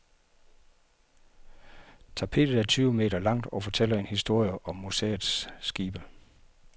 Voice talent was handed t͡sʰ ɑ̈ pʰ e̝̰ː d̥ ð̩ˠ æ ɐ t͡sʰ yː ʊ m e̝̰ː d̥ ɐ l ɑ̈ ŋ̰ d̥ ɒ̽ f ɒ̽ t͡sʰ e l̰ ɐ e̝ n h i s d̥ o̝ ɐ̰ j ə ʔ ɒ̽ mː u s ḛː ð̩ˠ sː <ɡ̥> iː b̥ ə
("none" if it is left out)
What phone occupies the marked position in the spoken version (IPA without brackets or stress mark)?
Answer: ɡ̥